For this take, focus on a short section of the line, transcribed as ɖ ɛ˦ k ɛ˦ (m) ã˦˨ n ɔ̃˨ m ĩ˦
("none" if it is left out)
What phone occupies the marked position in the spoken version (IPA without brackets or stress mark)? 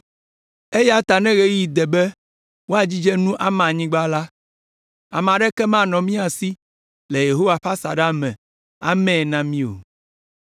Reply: m